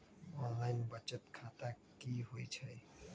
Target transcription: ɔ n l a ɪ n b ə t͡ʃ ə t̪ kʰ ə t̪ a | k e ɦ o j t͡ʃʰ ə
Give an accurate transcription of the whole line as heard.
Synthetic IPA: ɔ n l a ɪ n b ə t͡ʃ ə t̪ kʰ a t̪ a | k i ɦ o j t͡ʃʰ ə